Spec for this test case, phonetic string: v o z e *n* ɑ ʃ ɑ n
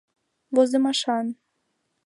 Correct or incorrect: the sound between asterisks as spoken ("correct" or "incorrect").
incorrect